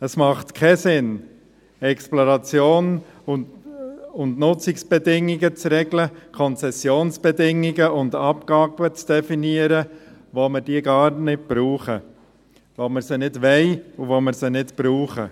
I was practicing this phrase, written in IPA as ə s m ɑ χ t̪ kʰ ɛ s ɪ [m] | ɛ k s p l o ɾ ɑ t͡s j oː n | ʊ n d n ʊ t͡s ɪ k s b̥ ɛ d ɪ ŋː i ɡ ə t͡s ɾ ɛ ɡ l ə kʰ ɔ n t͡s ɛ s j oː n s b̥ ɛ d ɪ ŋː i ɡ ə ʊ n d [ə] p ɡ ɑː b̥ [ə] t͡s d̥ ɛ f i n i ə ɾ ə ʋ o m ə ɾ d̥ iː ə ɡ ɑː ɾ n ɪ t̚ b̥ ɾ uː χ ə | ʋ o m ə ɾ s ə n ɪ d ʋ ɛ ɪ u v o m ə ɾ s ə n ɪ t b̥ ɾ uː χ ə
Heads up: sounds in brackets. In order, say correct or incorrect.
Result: incorrect: n, incorrect: ɑ, correct

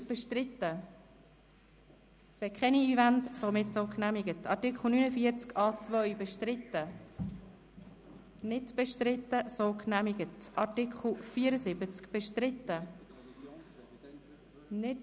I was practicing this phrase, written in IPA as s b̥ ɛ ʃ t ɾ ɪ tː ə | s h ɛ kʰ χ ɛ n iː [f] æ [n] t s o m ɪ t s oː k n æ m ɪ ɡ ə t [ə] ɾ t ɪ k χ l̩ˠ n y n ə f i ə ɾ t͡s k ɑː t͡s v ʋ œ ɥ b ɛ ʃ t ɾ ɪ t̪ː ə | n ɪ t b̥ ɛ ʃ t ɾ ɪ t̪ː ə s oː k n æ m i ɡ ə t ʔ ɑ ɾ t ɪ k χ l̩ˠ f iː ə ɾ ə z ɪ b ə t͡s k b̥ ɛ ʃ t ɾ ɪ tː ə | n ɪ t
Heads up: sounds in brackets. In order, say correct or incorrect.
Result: incorrect: v, correct, incorrect: ɑ

